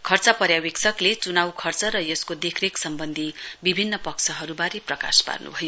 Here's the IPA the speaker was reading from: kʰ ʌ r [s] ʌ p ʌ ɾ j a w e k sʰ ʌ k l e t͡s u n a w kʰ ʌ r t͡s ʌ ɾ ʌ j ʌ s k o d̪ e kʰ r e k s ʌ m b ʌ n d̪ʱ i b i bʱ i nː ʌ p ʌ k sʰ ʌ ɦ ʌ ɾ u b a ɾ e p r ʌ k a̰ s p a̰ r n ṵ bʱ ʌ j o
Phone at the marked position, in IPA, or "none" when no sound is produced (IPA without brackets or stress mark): t͡s